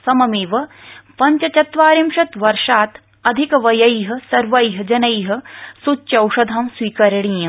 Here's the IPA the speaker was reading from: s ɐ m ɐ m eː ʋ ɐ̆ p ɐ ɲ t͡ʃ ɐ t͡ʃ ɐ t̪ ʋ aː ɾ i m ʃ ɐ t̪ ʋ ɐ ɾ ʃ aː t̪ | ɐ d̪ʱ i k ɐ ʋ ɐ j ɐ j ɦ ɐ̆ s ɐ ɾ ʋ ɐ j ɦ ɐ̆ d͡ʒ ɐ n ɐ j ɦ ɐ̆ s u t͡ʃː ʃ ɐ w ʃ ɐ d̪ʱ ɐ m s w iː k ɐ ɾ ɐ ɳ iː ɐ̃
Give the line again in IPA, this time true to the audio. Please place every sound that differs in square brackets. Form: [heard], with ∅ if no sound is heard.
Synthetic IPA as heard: s ɐ m ɐ m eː ʋ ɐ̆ p ɐ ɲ t͡ʃ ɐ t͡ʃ ɐ t̪ ʋ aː ɾ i m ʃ ɐ t̪ ʋ ɐ ɾ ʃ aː t̪ | ɐ d̪ʱ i k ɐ ʋ ɐ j ɐ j ɦ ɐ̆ s ɐ ɾ ʋ ɐ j ɦ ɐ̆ d͡ʒ ɐ n ɐ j ɦ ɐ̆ s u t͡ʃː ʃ ɐ w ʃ ɐ d̪ʱ ɐ m s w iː k ɐ ɾ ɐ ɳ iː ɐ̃

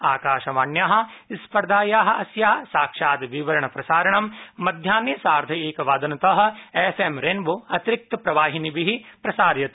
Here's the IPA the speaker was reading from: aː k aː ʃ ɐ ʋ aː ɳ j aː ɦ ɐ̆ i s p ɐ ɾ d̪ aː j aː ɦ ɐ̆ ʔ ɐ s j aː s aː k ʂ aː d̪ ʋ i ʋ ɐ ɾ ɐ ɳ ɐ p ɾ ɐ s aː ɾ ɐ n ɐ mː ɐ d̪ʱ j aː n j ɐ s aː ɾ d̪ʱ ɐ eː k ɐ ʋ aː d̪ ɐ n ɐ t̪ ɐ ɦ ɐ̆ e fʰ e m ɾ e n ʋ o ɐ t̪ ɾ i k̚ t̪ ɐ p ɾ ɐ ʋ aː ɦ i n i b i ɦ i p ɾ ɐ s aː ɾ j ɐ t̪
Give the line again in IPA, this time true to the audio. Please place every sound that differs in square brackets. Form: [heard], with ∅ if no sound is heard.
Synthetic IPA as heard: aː k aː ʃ ɐ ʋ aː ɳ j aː ɦ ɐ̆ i s p ɐ ɾ d̪ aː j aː ɦ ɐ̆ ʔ ɐ s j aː s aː k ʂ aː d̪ ʋ i ʋ ɐ ɾ ɐ ɳ ɐ p ɾ ɐ s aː ɾ ɐ [ɳ] ɐ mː ɐ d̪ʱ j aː n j ɐ s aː ɾ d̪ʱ ɐ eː k ɐ ʋ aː d̪ ɐ n ɐ t̪ ɐ ɦ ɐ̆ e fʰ e m ɾ e n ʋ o ɐ t̪ ɾ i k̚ t̪ ɐ p ɾ ɐ ʋ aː ɦ i n i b i ɦ i p ɾ ɐ s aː ɾ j ɐ t̪

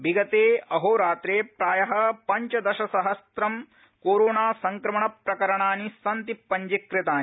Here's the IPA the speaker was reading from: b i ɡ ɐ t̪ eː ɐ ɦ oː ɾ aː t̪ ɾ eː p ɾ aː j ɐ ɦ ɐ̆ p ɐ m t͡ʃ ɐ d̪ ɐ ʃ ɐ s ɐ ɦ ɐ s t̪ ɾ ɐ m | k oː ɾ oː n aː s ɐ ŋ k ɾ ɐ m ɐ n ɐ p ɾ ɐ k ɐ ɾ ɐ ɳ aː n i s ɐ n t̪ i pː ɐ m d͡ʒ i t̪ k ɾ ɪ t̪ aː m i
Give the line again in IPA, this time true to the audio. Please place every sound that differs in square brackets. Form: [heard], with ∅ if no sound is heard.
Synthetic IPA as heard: b i ɡ ɐ t̪ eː ɐ ɦ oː ɾ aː t̪ ɾ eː p ɾ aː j ɐ ɦ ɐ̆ p ɐ [ɲ] t͡ʃ ɐ d̪ ɐ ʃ ɐ s ɐ ɦ ɐ s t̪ ɾ ɐ m | k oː ɾ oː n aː s ɐ ŋ k ɾ ɐ m ɐ [ɳ] ɐ p ɾ ɐ k ɐ ɾ ɐ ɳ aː n i s ɐ n t̪ i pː ɐ [ɲ] d͡ʒ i [∅] k ɾ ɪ t̪ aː [n] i

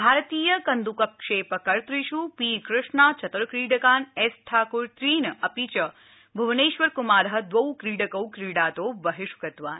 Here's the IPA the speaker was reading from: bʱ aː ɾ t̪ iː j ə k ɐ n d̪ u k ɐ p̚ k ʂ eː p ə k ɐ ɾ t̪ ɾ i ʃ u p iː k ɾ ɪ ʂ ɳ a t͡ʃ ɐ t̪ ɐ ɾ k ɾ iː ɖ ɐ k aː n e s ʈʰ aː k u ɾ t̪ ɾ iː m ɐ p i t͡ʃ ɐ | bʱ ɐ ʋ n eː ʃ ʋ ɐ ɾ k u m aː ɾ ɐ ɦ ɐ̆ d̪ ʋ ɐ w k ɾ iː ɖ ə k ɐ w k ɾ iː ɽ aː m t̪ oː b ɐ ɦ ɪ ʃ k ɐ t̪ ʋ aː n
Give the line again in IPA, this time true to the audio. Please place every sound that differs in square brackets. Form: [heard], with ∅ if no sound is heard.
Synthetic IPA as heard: bʱ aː ɾ t̪ iː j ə k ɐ n d̪ u k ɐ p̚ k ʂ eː p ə k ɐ ɾ t̪ ɾ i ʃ u p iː k ɾ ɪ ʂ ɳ a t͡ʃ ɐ t̪ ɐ ɾ k ɾ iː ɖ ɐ k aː n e s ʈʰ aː k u ɾ t̪ ɾ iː [n] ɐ p i t͡ʃ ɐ | bʱ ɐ ʋ n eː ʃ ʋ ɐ ɾ k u m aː ɾ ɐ ɦ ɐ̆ d̪ ʋ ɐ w k ɾ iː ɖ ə k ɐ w k ɾ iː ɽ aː [∅] t̪ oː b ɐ ɦ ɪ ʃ k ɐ t̪ ʋ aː n

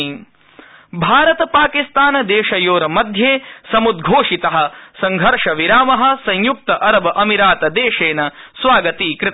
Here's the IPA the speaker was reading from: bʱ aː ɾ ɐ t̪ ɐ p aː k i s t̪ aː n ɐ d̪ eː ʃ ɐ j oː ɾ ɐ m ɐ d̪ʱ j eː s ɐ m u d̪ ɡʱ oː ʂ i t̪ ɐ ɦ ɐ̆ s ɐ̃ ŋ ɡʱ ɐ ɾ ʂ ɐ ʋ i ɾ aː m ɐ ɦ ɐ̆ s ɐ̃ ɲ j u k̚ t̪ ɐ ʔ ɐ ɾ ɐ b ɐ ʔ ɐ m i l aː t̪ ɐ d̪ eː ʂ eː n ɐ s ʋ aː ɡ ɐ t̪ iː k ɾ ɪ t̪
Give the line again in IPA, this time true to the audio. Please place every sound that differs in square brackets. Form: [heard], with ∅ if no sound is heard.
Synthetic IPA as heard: bʱ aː ɾ ɐ t̪ ɐ p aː k i s t̪ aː n ɐ d̪ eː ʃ ɐ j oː ɾ ɐ m ɐ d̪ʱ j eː s ɐ m u d̪ ɡʱ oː ʂ i t̪ ɐ ɦ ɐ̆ s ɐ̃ ŋ ɡʱ ɐ ɾ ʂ ɐ ʋ i ɾ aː m ɐ ɦ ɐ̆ s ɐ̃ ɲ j u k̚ t̪ ɐ ʔ ɐ ɾ ɐ b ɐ ʔ ɐ m i [ɾ] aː t̪ ɐ d̪ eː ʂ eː n ɐ s ʋ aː ɡ ɐ t̪ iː k ɾ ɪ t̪

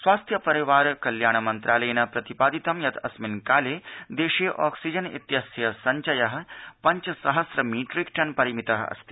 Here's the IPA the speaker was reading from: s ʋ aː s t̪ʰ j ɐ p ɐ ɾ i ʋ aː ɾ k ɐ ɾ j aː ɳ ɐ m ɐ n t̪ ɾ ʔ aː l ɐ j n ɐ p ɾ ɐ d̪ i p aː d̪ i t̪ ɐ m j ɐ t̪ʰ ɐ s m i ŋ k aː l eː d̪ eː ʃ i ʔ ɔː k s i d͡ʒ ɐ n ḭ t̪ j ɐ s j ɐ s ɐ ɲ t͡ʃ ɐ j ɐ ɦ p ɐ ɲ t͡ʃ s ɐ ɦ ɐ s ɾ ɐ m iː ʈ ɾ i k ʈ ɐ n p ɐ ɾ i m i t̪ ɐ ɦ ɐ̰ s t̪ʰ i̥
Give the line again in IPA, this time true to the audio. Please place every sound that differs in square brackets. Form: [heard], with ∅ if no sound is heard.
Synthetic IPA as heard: s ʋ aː s t̪ʰ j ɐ p ɐ ɾ i ʋ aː ɾ k ɐ [l] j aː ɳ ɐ m ɐ n t̪ ɾ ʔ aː l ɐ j n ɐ p ɾ ɐ [t̪] i p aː d̪ i t̪ ɐ m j ɐ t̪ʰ ɐ s m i [n] k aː l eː d̪ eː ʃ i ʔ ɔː k s i d͡ʒ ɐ n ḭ t̪ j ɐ s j ɐ s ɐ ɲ t͡ʃ ɐ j ɐ ɦ p ɐ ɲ t͡ʃ s ɐ ɦ ɐ s ɾ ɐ m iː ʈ ɾ i k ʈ ɐ n p ɐ ɾ i m i t̪ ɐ ɦ ɐ̰ s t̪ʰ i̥

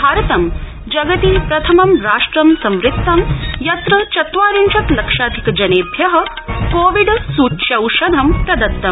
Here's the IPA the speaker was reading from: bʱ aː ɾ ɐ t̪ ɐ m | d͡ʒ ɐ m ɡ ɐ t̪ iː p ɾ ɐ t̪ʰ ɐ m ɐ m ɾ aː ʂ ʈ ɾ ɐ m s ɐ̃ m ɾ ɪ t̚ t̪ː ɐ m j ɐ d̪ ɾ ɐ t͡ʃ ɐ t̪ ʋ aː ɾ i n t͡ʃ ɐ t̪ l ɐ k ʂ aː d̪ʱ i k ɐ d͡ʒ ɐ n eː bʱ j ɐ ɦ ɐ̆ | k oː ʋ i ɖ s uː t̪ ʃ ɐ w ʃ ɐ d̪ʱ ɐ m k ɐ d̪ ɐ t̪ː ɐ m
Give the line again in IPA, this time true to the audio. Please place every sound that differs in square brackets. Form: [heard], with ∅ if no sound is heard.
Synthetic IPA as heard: bʱ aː ɾ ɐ t̪ ɐ m | d͡ʒ ɐ [∅] ɡ ɐ t̪ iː p ɾ ɐ t̪ʰ ɐ m ɐ m ɾ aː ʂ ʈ ɾ ɐ m s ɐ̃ m ɾ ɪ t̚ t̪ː ɐ m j ɐ [t̪] ɾ ɐ t͡ʃ ɐ t̪ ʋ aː ɾ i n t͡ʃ ɐ t̪ l ɐ k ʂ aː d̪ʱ i k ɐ d͡ʒ ɐ n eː bʱ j ɐ ɦ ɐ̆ | k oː ʋ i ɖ s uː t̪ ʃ ɐ w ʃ ɐ d̪ʱ ɐ m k ɐ d̪ ɐ t̪ː ɐ m

